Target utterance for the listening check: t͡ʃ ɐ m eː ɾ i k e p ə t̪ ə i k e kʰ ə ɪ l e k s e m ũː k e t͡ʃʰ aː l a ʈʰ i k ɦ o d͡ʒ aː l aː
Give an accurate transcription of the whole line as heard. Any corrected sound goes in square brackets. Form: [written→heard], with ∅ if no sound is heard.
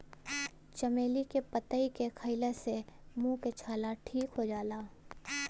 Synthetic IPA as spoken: t͡ʃ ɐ m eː [ɾ→l] i k e p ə t̪ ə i k e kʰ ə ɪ l e [k→∅] s e m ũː k e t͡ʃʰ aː l a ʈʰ [i→iː] k ɦ o d͡ʒ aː l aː